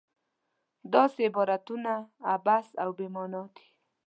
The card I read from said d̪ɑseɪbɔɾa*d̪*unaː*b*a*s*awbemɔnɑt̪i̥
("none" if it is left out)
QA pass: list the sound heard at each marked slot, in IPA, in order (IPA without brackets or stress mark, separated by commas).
t̪, b, s